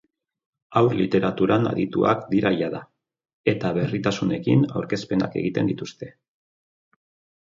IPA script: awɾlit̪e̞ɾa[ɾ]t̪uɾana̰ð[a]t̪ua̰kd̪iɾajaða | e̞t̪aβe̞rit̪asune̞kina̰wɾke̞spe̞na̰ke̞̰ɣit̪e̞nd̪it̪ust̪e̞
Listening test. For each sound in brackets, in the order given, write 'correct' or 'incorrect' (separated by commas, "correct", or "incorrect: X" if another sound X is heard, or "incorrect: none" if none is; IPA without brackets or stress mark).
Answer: incorrect: none, incorrect: i